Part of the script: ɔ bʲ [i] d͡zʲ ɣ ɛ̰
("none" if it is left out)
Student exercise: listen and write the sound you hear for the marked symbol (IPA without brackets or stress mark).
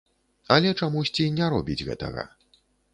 i